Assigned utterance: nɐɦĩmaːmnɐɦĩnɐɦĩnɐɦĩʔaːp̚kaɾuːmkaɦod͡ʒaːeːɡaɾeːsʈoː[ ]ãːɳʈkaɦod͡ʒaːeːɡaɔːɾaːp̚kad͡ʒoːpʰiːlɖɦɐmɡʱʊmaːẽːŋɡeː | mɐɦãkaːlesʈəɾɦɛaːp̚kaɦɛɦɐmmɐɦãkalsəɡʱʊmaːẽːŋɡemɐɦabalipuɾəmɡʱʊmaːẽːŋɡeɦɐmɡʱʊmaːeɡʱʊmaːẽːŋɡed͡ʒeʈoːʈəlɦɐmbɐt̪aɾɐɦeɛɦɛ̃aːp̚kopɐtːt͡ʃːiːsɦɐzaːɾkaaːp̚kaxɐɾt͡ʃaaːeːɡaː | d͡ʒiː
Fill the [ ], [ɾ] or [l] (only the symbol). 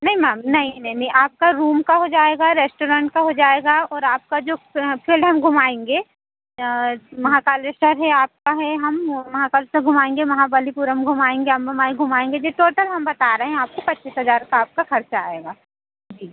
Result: ɾ